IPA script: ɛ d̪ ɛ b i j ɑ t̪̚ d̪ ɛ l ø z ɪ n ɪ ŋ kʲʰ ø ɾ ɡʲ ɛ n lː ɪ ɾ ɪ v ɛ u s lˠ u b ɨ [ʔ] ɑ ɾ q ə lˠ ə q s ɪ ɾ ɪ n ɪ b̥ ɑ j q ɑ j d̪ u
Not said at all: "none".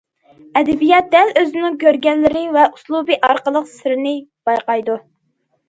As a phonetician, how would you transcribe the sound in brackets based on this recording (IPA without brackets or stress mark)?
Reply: ʔ